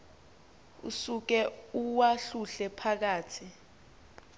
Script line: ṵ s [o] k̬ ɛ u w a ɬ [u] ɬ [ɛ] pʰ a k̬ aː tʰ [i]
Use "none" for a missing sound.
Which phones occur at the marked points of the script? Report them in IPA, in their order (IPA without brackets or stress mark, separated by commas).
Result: u, u, ɛ, i